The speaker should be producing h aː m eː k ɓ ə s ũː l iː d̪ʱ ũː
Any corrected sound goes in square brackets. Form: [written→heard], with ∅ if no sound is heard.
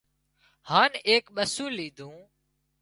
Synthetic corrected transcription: h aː [m→n] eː k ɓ ə s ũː l iː d̪ʱ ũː